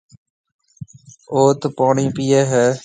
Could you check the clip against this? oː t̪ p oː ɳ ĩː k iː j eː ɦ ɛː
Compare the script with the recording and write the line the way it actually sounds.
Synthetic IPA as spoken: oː t̪ p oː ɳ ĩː p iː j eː ɦ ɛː